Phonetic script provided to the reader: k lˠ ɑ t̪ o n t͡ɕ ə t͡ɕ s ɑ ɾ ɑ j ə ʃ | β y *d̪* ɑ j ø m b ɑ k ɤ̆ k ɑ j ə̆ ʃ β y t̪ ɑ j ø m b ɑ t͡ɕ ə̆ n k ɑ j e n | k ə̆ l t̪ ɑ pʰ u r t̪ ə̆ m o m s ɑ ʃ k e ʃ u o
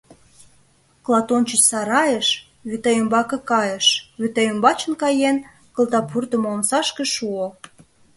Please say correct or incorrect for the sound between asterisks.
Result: incorrect